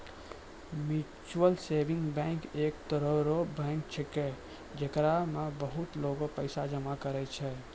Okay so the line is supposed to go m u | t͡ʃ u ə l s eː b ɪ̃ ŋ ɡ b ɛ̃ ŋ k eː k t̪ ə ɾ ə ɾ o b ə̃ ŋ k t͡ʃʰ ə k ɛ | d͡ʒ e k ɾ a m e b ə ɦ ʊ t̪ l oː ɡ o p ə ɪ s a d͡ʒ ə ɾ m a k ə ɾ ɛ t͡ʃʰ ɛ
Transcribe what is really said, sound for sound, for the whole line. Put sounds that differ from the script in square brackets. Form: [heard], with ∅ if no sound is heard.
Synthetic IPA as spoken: m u | t͡ʃ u ə l s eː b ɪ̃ ŋ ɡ b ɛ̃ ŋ k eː k t̪ ə ɾ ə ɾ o b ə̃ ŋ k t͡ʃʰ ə k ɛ | d͡ʒ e k ɾ a m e b ə ɦ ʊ t̪ l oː ɡ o p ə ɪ s a d͡ʒ ə [∅] m a k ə ɾ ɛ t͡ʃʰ ɛ